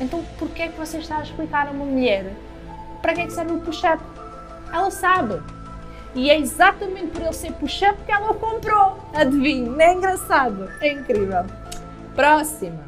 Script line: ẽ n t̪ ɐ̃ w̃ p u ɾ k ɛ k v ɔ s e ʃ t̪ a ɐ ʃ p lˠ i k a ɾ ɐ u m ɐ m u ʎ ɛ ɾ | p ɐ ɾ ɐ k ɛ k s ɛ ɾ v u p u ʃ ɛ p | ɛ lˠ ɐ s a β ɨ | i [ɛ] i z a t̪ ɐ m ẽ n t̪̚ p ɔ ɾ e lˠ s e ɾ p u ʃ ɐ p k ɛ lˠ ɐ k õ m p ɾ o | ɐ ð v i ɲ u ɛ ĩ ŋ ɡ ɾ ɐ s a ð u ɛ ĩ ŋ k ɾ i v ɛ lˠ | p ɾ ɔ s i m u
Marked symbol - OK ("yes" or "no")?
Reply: yes